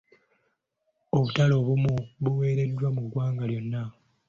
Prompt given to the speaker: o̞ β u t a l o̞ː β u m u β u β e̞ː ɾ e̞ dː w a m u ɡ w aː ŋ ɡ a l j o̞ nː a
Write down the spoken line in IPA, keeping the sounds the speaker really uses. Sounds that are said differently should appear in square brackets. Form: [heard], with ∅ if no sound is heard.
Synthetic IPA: o̞ β u t a l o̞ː β u m u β u [w] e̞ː ɾ e̞ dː w a m u ɡ w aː ŋ ɡ a l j o̞ nː a